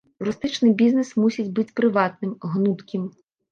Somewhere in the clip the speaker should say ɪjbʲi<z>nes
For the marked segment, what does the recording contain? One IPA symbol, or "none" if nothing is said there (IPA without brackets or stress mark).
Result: z